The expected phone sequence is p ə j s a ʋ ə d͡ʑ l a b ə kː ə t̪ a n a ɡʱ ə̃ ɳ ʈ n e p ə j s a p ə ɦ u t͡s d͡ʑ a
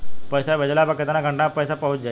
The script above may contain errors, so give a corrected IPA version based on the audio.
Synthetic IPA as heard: p ə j s a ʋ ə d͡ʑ l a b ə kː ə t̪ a n a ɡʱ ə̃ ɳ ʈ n a p ə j s a p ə ɦ u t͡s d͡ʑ a